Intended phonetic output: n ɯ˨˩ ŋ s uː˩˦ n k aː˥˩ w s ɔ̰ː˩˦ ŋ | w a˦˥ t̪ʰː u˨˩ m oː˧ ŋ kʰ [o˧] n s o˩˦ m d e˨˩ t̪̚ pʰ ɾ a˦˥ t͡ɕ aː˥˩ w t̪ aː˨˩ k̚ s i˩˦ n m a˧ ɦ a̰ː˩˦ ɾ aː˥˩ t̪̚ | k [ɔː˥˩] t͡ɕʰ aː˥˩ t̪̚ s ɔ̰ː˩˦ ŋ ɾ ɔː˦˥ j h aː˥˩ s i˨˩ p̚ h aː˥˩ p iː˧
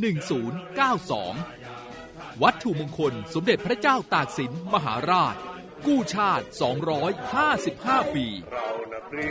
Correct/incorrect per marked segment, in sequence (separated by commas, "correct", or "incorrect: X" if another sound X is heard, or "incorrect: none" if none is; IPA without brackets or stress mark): correct, incorrect: uː˥˩